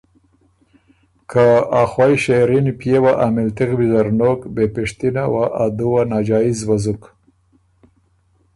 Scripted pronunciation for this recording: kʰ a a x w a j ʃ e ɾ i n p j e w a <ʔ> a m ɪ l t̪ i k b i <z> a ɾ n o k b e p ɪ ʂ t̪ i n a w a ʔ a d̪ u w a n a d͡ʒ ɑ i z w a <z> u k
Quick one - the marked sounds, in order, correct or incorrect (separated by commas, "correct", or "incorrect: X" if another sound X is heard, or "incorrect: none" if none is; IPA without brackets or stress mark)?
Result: correct, correct, correct